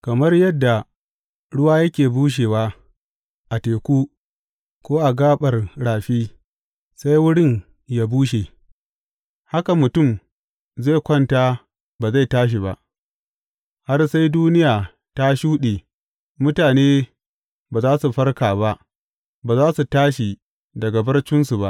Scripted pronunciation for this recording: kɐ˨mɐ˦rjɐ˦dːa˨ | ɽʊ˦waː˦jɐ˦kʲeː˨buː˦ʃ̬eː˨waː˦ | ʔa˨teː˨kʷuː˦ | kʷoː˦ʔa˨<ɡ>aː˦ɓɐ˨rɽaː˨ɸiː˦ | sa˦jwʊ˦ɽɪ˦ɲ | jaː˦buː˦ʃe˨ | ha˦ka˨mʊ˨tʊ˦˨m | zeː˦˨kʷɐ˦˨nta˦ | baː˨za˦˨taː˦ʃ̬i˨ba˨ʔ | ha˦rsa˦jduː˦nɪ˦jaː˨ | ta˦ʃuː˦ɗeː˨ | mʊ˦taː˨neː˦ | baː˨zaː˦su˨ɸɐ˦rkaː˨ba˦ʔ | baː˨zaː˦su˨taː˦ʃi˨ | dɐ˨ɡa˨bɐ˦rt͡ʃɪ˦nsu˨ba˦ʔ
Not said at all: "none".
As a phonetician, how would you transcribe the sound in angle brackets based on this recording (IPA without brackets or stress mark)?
ɡ